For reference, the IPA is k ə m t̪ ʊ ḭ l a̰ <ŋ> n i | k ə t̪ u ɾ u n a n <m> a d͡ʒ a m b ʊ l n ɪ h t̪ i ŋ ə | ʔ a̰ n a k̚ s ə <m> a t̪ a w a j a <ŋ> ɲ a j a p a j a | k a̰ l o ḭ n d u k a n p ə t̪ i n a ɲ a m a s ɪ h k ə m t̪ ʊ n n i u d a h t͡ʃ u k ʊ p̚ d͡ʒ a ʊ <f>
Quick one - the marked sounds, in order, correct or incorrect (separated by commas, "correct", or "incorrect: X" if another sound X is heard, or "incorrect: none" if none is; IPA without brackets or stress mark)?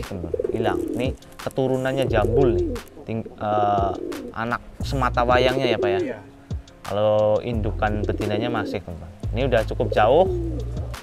correct, incorrect: ɲ, correct, correct, incorrect: h